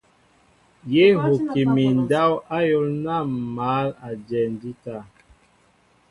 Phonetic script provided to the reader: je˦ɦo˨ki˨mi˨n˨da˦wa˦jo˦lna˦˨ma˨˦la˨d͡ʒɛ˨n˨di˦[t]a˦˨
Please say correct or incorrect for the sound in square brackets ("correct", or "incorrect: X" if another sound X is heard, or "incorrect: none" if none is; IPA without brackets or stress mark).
correct